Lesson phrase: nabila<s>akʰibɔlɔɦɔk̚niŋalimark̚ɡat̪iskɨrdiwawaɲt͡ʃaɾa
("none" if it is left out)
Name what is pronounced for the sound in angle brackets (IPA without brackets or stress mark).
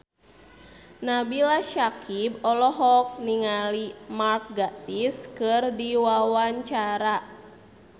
ʃ